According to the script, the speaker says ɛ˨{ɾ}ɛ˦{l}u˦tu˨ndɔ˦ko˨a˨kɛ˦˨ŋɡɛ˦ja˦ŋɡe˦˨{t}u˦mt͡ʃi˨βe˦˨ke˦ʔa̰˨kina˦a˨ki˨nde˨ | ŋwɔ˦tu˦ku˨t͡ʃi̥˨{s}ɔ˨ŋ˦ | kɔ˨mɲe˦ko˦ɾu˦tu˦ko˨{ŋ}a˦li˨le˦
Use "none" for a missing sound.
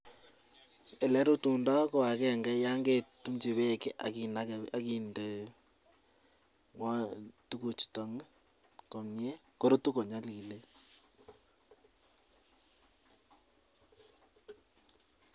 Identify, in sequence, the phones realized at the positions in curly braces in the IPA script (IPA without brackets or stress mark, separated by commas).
l, ɾ, t, t, ɲ